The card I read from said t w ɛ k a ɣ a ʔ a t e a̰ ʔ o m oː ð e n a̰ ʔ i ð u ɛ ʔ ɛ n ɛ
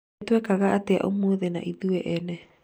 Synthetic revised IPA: t w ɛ k a ɣ a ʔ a t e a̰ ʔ o m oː ð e n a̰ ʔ i ð u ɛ ʔ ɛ n ɛ